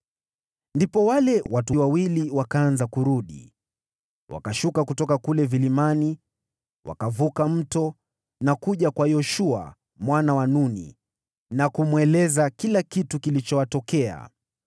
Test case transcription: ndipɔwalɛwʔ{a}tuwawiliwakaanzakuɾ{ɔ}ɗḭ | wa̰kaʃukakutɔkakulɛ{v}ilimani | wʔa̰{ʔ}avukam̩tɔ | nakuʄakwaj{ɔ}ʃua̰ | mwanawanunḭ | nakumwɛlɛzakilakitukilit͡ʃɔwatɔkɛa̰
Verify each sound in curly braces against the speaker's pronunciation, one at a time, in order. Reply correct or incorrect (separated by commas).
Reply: correct, incorrect, correct, incorrect, correct